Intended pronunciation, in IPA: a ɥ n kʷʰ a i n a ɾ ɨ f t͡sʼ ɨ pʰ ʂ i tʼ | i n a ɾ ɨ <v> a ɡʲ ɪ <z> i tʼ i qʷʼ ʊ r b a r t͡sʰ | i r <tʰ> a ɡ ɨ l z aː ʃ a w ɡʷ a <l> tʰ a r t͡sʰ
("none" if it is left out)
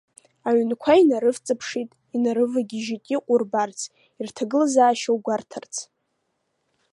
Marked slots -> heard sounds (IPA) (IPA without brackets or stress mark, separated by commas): v, ʒ, tʰ, r